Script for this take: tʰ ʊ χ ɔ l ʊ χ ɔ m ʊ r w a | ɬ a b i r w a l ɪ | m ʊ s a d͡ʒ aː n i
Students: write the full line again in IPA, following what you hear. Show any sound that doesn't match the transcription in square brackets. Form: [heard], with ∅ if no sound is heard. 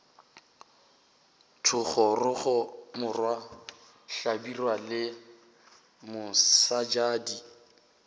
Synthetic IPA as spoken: tʰ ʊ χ ɔ [r] ʊ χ ɔ m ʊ r w a | ɬ a b i r w a l ɪ | m ʊ s a d͡ʒ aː [d] i